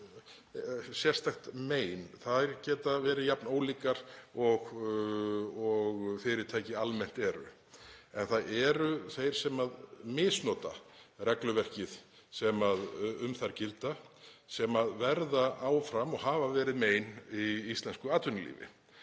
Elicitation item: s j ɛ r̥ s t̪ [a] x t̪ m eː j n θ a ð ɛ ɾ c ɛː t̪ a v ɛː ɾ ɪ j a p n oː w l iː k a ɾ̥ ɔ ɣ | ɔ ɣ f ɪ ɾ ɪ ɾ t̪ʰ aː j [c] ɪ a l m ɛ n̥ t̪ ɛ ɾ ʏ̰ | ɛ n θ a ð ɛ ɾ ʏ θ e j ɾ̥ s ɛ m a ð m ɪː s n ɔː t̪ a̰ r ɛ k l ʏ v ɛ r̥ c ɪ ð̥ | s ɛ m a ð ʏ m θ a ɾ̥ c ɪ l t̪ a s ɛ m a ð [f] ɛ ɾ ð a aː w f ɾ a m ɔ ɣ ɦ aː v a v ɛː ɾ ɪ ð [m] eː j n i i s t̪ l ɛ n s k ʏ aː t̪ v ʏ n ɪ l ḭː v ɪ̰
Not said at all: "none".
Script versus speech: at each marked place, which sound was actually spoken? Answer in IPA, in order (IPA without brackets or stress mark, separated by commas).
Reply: a, c, v, m